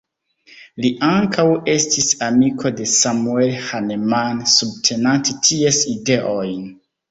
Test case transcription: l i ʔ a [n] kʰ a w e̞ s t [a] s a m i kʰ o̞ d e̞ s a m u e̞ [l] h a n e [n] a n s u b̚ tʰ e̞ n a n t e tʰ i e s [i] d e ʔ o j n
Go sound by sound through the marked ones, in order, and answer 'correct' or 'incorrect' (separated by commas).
incorrect, incorrect, correct, incorrect, correct